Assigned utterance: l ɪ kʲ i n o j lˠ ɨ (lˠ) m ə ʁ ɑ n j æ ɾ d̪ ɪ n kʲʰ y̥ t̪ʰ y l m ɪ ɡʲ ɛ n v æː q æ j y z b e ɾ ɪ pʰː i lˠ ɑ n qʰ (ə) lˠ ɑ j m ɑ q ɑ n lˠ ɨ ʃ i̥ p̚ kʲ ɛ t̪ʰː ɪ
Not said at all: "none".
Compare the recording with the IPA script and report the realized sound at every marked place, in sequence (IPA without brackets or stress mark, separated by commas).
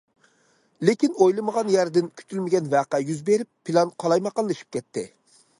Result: none, ɑ